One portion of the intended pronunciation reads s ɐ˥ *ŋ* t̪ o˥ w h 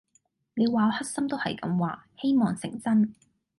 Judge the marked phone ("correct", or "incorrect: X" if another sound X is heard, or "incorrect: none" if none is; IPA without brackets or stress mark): incorrect: m